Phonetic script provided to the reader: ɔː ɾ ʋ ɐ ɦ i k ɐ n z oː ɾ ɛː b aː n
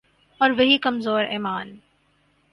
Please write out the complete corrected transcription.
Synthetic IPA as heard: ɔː ɾ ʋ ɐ ɦ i k ɐ m z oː ɾ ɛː m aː n